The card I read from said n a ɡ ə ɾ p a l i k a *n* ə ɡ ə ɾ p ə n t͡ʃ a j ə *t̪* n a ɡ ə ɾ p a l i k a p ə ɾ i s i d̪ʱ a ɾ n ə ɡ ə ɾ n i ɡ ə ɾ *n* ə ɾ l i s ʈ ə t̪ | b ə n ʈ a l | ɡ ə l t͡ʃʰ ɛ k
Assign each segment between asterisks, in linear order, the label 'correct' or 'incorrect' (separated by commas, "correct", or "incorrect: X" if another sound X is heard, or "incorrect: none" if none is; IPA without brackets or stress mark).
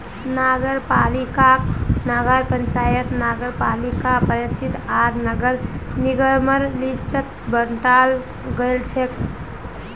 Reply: correct, correct, incorrect: m